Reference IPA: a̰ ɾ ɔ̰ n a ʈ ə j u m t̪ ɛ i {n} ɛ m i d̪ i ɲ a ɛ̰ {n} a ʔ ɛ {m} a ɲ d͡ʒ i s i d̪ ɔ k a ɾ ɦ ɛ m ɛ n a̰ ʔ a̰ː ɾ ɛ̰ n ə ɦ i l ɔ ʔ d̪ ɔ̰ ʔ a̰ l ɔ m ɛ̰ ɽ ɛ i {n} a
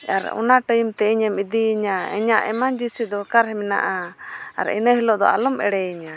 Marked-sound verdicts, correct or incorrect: incorrect, incorrect, correct, incorrect

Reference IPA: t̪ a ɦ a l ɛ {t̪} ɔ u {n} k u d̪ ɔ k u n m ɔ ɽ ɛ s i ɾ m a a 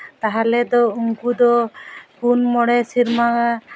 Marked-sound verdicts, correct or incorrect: incorrect, incorrect

